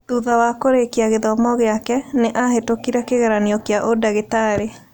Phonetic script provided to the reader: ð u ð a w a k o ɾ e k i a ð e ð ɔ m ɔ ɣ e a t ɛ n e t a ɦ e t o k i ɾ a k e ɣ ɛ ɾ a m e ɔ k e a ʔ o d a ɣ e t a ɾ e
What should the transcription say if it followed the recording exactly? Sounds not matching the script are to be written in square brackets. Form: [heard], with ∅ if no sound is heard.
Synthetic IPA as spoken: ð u ð a w a k o ɾ e k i a [ɣ] e ð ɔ m ɔ ɣ e a [k] ɛ n e [ʔ] a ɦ e t o k i ɾ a k e ɣ ɛ ɾ a [n] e ɔ k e a ʔ o d a ɣ e t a ɾ e